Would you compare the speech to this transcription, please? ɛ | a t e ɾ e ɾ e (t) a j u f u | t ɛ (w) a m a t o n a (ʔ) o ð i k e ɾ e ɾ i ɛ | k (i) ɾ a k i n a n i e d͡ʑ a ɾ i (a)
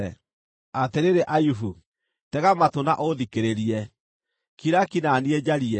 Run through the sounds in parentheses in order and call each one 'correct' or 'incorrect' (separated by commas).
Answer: incorrect, incorrect, correct, correct, incorrect